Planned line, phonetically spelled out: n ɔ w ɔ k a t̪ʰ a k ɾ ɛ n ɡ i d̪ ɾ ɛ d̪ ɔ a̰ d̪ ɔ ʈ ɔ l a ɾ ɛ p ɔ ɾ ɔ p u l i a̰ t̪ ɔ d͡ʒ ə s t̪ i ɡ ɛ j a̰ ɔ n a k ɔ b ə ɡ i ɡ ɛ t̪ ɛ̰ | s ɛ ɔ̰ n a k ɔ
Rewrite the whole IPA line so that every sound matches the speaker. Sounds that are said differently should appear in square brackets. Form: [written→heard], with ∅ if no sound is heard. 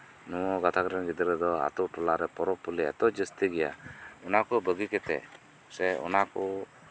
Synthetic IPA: n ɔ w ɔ [k→ɡ] a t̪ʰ a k ɾ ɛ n ɡ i d̪ ɾ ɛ d̪ ɔ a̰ [d̪→t̪] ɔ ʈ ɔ l a ɾ ɛ p ɔ ɾ ɔ p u l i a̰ t̪ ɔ d͡ʒ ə s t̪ i ɡ ɛ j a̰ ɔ n a k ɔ b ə ɡ i [ɡ→k] ɛ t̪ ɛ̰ | s ɛ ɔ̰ n a k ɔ

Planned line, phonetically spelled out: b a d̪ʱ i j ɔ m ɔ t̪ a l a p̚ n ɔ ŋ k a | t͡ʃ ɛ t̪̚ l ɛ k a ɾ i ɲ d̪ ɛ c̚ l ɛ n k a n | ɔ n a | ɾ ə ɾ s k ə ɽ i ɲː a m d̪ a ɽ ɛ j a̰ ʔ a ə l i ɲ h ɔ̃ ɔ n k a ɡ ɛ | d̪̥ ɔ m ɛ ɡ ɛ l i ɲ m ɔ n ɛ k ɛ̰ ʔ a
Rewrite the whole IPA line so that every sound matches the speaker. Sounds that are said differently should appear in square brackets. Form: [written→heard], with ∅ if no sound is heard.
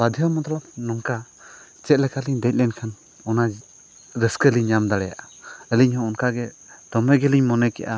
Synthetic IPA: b a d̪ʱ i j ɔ m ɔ t̪ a l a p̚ n ɔ ŋ k a | t͡ʃ ɛ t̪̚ l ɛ k a [ɾ→l] i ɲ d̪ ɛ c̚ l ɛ n [k→kʰ] a n | ɔ n a | ɾ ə [ɾ→∅] s k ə [ɽ→l] i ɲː a m d̪ a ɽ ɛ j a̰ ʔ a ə l i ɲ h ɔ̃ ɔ n k a ɡ ɛ | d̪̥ ɔ m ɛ ɡ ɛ l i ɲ m ɔ n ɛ k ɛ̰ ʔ a

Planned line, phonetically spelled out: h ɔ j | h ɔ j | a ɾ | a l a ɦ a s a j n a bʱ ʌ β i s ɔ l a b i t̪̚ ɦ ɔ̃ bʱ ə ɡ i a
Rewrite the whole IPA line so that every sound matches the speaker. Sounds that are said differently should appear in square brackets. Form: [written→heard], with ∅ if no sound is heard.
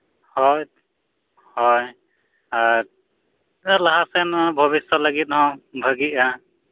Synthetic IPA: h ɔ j | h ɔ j | a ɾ | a l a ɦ a s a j n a bʱ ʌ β i s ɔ l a [b→ɡ] i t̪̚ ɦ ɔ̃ bʱ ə ɡ i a

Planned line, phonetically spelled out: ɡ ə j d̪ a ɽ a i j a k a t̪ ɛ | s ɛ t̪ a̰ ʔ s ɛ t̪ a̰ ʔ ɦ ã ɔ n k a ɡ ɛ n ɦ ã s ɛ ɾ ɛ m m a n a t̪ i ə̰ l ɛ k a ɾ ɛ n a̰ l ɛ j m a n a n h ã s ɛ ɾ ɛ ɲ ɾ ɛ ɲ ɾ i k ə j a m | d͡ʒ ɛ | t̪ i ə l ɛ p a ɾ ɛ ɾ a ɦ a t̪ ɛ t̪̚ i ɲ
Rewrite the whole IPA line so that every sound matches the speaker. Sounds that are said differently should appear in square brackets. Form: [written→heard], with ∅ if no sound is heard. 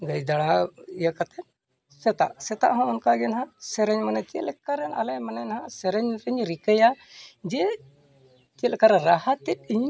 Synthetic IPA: ɡ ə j d̪ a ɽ a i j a k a t̪ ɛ | s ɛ t̪ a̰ ʔ s ɛ t̪ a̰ ʔ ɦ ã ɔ n k a ɡ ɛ n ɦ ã s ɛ ɾ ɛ [m→ɲ] m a n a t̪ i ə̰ l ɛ k a ɾ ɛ n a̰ l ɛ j m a n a n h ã s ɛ ɾ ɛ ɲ ɾ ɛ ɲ ɾ i k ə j a [m→∅] | d͡ʒ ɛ | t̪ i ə l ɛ [p→k] a ɾ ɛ ɾ a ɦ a t̪ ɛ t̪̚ i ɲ

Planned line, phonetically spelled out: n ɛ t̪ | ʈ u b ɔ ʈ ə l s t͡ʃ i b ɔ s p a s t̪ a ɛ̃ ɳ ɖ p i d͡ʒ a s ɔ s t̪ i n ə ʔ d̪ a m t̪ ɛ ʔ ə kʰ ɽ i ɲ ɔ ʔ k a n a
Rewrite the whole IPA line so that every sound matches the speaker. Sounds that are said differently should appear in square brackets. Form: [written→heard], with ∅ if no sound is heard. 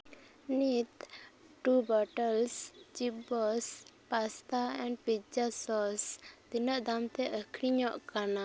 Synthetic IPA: n [ɛ→i] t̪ | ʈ u b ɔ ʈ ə l s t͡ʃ i b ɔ s p a s t̪ a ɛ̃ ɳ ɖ p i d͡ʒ a s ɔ s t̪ i n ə ʔ d̪ a m t̪ ɛ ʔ ə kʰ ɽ i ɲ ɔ ʔ k a n a

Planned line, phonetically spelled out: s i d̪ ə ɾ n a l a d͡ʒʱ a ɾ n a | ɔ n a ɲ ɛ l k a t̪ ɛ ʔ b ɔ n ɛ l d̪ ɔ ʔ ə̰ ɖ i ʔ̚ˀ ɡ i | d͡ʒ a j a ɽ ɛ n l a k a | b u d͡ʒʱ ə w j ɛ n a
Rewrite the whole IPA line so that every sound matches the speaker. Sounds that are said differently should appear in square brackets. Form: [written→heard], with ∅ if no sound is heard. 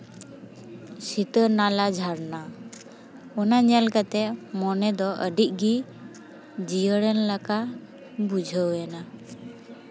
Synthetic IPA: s i [d̪→t̪] ə ɾ n a l a d͡ʒʱ a ɾ n a | ɔ n a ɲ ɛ l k a t̪ ɛ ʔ [b→m] ɔ n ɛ [l→∅] d̪ ɔ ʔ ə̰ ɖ i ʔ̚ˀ ɡ i | d͡ʒ [a→i] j [a→ə] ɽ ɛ n l a k a | b u d͡ʒʱ ə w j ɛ n a

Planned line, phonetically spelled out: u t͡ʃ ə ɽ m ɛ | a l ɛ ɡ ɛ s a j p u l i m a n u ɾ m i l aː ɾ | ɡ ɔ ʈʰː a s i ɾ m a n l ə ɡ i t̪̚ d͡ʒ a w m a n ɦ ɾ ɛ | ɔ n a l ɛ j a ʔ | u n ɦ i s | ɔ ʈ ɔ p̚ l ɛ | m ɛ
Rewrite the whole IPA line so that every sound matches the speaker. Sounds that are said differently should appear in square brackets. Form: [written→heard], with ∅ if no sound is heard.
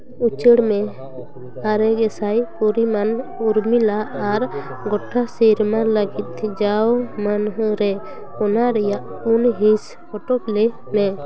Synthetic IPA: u t͡ʃ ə ɽ m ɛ | a [l→ɾ] ɛ ɡ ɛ s a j p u [l→ɾ] i m a n u ɾ m i l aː ɾ | ɡ ɔ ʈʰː a s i ɾ m a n l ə ɡ i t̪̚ d͡ʒ a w m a n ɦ ɾ ɛ | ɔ n a [l→ɾ] ɛ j a ʔ | u n ɦ i s | ɔ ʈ ɔ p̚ l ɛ | m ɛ

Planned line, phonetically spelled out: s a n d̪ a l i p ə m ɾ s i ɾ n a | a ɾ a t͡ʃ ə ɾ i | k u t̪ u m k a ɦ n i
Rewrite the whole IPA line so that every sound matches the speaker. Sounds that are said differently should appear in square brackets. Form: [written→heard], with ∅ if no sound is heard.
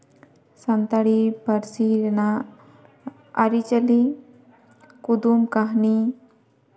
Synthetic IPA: s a n [d̪→t̪] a [l→ɽ] i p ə [m→∅] ɾ s i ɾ n a | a ɾ [a→i] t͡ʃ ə [ɾ→l] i | k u [t̪→d̪] u m k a ɦ n i

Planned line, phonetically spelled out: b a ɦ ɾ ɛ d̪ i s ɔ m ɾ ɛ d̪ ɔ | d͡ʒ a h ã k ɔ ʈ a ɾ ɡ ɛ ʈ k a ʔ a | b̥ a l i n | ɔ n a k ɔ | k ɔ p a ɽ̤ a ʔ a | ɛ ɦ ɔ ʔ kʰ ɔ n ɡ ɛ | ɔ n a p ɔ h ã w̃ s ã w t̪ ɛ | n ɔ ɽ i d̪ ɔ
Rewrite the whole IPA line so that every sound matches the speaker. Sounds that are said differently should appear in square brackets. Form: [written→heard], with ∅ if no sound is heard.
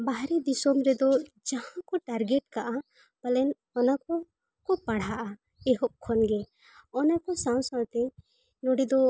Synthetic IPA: b a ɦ ɾ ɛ d̪ i s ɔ m ɾ ɛ d̪ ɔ | d͡ʒ a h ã k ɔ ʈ a ɾ ɡ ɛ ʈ k a ʔ a | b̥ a l [i→ɛ] n | ɔ n a k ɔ | k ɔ p a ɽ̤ a ʔ a | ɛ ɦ ɔ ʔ kʰ ɔ n ɡ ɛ | ɔ n a [p→k] ɔ [h→s] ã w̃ s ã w t̪ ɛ | n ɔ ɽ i d̪ ɔ

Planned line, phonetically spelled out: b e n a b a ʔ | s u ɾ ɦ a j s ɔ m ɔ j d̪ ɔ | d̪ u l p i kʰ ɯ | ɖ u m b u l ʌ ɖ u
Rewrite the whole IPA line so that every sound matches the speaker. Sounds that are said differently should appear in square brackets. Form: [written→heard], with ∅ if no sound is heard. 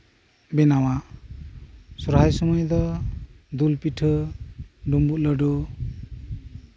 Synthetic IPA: b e n a [b→w] a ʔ | s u ɾ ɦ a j s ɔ m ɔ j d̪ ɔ | d̪ u l p i [kʰ→ʈʰ] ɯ | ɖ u m b u l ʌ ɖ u

